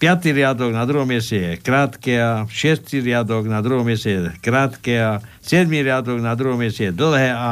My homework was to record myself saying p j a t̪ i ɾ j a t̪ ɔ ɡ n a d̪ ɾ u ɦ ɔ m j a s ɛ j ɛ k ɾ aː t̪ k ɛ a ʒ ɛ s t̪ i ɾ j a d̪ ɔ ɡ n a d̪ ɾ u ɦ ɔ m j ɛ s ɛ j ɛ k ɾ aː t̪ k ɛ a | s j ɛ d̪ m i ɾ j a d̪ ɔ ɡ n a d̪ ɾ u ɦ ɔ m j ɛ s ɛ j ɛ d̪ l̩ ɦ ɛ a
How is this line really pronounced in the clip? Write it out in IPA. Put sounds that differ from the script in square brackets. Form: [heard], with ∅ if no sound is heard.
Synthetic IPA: p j a t̪ i ɾ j a [d̪] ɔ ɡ n a d̪ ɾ u ɦ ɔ m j [ɛ] s ɛ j ɛ k ɾ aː t̪ k ɛ a [ʃ] ɛ s t̪ i ɾ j a d̪ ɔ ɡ n a d̪ ɾ u ɦ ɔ m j ɛ s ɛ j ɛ k ɾ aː t̪ k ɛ a | s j ɛ d̪ m i ɾ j a d̪ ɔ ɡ n a d̪ ɾ u ɦ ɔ m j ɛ s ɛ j ɛ d̪ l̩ ɦ ɛ a